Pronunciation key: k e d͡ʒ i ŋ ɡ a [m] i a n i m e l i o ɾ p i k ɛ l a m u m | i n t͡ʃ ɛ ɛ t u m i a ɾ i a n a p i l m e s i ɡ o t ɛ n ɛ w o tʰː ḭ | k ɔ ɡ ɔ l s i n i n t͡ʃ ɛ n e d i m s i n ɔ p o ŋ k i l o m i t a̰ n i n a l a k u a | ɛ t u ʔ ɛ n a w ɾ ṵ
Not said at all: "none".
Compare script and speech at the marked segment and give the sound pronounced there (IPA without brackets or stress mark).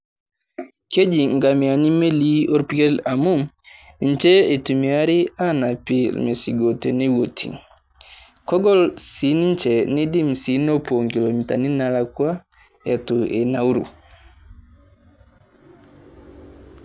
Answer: m